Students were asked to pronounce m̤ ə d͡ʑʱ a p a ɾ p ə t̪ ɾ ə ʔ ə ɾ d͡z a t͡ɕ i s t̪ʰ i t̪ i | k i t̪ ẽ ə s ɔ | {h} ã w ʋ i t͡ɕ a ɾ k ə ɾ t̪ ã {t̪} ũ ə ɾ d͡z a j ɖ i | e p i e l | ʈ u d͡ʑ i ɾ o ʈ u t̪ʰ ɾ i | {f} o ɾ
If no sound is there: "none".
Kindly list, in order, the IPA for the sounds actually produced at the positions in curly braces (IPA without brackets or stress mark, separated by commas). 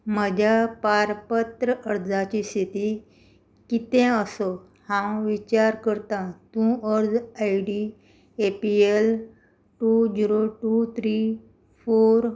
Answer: h, t̪, f